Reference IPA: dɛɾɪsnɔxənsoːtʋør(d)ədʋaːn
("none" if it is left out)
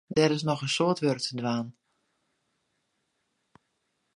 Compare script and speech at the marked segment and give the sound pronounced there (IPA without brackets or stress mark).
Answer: t